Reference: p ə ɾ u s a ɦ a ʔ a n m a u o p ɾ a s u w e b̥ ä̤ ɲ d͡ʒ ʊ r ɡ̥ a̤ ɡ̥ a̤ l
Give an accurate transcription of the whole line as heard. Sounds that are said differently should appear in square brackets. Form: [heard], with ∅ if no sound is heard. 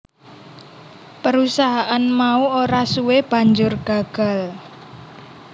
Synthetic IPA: p ə ɾ u s a ɦ a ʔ a n m a u o [∅] ɾ a s u w e b̥ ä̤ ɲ d͡ʒ ʊ r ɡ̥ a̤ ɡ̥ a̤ l